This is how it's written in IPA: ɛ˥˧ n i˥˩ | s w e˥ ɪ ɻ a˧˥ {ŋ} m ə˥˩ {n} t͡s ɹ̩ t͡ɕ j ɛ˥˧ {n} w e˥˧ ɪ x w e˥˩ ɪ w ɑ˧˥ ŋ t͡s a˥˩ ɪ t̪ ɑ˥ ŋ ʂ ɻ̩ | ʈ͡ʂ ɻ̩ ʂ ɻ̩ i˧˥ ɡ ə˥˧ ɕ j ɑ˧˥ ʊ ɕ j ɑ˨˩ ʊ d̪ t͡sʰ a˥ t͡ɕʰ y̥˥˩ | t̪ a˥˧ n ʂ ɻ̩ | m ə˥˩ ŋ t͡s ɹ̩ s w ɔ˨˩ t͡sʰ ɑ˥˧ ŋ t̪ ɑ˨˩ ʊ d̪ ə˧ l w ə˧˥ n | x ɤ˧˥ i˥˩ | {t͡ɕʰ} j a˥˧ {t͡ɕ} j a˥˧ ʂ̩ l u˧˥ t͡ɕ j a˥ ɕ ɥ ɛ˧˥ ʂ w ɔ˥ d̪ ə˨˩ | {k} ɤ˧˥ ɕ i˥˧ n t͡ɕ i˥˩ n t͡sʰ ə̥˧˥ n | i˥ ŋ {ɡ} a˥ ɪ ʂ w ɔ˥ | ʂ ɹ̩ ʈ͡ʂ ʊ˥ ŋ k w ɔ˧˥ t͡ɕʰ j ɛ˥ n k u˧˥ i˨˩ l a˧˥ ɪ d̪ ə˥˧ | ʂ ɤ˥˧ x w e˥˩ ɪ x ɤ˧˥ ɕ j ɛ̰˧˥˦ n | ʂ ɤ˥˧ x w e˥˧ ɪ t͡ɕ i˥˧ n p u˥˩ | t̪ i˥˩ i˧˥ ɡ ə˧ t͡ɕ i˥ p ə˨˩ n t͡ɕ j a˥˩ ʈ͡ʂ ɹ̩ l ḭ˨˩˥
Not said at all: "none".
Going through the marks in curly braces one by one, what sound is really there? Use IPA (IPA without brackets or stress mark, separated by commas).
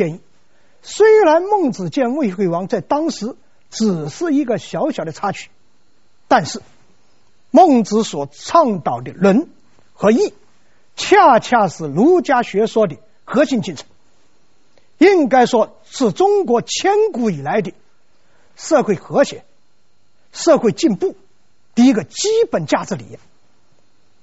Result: n, ŋ, n, t͡ɕʰ, t͡ɕʰ, x, k